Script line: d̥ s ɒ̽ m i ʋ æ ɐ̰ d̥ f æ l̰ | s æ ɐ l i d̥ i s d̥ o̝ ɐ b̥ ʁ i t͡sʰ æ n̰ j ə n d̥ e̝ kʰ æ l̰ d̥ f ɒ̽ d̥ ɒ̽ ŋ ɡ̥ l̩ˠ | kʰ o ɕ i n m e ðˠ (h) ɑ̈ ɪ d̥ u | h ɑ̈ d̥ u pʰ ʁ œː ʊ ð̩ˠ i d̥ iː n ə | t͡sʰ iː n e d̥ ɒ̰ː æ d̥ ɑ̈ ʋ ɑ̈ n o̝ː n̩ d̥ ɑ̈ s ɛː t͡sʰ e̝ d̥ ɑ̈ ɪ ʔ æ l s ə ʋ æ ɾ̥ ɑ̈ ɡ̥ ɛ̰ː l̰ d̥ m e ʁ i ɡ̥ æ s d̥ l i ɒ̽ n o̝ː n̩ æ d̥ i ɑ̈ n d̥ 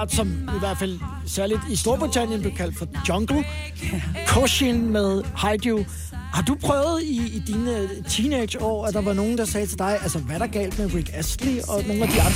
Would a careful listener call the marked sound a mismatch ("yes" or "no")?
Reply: no